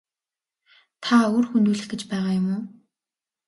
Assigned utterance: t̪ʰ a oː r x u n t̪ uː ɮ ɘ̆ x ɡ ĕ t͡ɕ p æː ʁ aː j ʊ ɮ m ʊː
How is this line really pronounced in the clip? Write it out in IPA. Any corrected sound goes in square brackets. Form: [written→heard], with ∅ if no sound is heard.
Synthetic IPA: t̪ʰ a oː r x u n t̪ uː ɮ ɘ̆ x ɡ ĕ t͡ɕ p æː ʁ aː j ʊ [ɮ→∅] m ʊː